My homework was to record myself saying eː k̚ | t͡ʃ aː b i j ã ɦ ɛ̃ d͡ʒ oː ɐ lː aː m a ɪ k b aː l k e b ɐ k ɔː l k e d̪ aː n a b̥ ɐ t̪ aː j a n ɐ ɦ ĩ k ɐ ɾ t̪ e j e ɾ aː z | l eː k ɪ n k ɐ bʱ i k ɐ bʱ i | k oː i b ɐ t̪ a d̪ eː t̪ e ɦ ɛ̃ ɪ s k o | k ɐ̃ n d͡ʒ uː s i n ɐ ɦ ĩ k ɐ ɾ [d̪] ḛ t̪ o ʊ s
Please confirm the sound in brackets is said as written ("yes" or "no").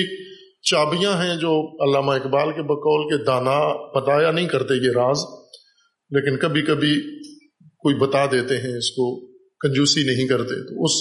no